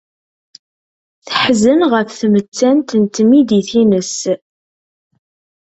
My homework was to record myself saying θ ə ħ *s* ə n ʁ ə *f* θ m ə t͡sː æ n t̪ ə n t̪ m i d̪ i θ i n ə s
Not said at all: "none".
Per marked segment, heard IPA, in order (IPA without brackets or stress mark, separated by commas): z, f